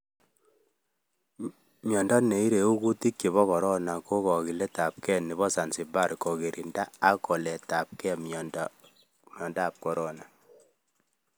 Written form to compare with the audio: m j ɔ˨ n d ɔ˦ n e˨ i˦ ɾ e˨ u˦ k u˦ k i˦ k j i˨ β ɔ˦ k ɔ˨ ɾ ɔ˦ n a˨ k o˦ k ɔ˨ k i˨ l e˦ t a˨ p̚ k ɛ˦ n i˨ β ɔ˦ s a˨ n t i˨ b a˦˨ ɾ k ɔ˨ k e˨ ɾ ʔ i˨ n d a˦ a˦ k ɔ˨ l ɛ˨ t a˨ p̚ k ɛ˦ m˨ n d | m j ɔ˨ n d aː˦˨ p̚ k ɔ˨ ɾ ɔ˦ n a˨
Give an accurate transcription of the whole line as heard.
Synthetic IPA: m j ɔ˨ n d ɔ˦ n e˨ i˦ ɾ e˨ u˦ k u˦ t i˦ k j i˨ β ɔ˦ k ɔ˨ ɾ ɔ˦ n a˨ k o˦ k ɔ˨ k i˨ l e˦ t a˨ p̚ k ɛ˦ n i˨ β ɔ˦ s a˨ n s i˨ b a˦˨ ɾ k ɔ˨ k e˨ ɾ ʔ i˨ n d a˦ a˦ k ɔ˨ l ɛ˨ t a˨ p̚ k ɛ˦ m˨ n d | m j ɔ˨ n d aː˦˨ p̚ k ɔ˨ ɾ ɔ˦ n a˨